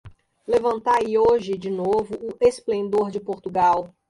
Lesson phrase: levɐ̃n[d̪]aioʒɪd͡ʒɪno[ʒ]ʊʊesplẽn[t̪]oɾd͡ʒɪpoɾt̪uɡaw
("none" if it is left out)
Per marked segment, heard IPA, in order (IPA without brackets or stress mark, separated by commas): t̪, v, d̪